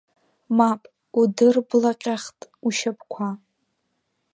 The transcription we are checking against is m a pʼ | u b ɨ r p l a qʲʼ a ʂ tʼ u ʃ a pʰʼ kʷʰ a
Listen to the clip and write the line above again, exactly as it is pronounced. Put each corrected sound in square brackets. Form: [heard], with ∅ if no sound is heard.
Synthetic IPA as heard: m a pʼ | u [d] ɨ r [b] l a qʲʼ a [χ] tʼ u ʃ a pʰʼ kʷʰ a